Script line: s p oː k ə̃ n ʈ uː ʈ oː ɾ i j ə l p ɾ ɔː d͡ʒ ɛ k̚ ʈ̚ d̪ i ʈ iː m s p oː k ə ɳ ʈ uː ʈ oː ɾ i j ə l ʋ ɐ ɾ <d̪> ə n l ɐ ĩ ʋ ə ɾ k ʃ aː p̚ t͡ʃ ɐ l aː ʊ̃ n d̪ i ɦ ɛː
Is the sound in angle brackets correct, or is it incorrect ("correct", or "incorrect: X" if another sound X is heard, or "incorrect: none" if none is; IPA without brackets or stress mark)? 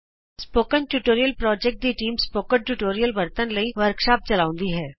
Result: incorrect: t̪